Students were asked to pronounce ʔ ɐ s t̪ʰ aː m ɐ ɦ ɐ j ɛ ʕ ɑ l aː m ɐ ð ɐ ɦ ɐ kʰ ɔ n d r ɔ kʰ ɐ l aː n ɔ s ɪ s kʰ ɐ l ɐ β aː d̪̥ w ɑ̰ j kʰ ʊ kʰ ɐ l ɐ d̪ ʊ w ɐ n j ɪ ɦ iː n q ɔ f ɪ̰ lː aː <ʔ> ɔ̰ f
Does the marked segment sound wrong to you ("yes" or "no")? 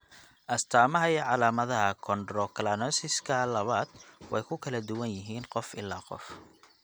yes